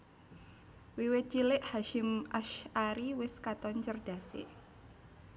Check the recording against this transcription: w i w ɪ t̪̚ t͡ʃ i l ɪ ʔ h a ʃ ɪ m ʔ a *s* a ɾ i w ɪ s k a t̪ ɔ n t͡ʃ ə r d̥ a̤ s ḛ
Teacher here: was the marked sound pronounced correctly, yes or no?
no